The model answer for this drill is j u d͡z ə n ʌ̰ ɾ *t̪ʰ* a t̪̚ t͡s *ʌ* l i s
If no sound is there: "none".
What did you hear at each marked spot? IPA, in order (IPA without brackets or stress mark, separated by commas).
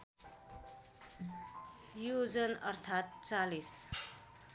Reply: t̪ʰ, a